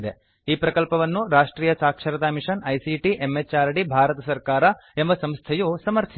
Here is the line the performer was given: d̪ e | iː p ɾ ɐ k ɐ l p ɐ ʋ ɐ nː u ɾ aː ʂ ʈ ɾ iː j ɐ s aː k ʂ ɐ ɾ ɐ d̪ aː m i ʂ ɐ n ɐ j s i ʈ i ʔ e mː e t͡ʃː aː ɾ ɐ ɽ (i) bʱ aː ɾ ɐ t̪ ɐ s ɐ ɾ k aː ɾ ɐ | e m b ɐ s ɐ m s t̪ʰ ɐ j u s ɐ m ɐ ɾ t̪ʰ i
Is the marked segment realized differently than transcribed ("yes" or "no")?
no